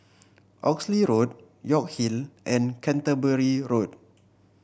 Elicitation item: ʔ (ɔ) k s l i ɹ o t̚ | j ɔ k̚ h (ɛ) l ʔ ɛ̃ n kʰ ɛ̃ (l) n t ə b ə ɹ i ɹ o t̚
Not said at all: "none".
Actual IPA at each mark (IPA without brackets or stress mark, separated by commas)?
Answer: ɔ, i, none